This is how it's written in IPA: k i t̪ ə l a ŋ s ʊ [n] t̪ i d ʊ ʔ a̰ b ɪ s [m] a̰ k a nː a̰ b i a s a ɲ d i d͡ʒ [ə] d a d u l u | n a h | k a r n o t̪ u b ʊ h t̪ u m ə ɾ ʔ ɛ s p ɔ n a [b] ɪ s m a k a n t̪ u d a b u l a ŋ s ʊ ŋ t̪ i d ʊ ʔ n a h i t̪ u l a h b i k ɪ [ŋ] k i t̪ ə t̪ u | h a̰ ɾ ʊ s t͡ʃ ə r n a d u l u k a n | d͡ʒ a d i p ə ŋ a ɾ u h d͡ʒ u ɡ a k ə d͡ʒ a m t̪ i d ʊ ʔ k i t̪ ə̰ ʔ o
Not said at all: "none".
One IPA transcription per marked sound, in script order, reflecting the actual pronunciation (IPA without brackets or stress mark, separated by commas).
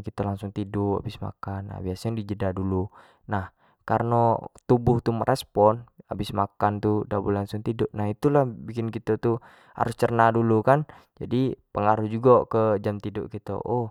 ŋ, m, ə, b, n